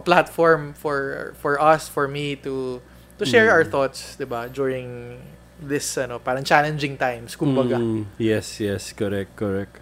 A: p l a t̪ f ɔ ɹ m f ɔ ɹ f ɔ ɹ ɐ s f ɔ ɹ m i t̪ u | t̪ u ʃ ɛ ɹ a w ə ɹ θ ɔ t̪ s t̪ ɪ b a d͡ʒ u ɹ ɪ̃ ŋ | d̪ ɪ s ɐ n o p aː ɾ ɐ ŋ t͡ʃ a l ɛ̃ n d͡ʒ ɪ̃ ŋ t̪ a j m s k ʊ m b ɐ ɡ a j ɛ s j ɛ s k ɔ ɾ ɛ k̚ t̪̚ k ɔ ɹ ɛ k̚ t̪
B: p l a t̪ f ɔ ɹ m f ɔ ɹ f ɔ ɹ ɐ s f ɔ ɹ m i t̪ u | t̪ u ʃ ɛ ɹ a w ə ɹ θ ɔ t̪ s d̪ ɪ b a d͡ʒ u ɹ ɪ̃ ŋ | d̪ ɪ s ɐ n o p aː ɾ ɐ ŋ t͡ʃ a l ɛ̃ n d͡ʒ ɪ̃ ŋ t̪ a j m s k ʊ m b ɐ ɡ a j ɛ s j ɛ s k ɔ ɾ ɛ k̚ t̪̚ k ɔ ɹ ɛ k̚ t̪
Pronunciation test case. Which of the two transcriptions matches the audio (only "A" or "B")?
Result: B